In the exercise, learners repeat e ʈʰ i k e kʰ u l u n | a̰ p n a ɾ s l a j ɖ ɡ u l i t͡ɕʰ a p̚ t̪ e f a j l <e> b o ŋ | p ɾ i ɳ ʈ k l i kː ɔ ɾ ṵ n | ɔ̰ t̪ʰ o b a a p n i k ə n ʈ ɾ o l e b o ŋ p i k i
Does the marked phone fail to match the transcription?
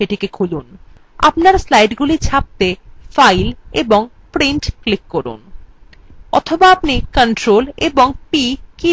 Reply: no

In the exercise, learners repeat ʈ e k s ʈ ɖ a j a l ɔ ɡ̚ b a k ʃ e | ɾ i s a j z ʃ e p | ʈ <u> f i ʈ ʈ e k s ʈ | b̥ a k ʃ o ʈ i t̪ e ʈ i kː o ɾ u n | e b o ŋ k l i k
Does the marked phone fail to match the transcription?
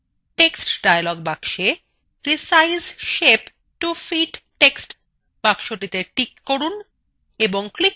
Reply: no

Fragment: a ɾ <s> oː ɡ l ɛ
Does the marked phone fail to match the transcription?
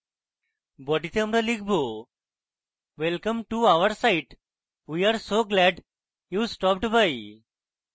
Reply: no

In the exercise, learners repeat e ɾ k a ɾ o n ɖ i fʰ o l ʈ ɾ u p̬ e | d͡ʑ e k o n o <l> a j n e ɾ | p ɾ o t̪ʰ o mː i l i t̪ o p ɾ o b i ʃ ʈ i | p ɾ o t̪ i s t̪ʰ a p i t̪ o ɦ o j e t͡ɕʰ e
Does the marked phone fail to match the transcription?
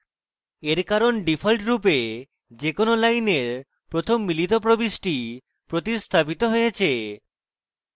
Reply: no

